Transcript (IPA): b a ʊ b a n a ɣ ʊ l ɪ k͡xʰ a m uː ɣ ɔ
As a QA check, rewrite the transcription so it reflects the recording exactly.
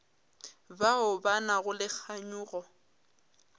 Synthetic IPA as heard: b a ʊ b a n a ɣ ʊ l ɪ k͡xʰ a ɲ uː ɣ ɔ